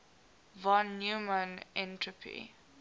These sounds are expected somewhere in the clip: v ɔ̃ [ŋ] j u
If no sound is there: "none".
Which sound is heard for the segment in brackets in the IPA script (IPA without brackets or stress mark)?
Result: n